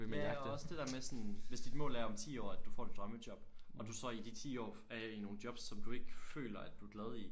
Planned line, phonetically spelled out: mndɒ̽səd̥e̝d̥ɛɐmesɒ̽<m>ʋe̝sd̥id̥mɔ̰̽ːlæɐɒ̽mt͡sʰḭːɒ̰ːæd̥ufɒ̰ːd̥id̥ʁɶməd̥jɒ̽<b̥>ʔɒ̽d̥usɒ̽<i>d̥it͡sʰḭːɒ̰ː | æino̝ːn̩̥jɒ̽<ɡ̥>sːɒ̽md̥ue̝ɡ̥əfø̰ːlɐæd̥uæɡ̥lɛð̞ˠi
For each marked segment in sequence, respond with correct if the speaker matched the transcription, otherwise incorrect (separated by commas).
incorrect, correct, correct, incorrect